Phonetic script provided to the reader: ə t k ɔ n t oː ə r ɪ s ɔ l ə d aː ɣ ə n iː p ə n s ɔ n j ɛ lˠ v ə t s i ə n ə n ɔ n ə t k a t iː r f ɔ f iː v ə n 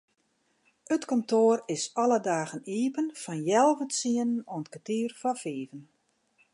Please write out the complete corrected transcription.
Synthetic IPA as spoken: ə t k ɔ n t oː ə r ɪ s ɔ l ə d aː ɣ ə n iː p ə n f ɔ n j ɛ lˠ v ə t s i ə n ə n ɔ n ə t k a t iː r f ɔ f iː v ə n